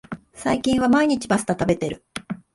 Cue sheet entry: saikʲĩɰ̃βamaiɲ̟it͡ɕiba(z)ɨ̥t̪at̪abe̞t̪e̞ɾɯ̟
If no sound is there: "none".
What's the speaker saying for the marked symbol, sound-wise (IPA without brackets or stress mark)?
s